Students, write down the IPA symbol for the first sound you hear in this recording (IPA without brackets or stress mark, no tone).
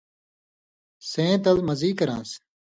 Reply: s